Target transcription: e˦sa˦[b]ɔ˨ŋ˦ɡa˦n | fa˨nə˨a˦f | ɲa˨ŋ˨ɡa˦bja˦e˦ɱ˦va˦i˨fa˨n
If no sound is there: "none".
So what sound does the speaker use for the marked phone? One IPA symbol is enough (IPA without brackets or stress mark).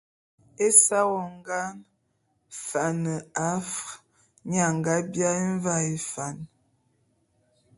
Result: w